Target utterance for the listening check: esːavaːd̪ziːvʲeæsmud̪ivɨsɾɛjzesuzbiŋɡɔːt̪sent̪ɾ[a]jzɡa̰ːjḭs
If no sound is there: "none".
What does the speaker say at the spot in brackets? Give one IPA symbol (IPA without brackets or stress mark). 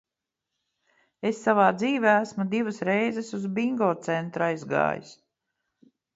a